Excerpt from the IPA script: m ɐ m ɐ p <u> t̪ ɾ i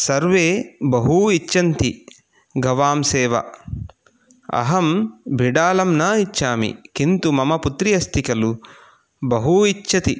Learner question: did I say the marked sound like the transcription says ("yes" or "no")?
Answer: yes